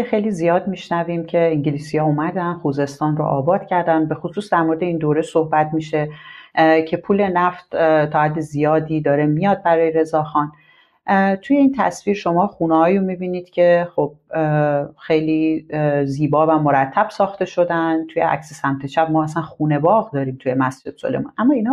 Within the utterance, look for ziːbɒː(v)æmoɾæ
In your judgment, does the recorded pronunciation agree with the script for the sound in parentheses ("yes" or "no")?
yes